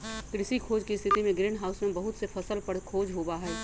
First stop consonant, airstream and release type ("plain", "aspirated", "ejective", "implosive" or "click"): plain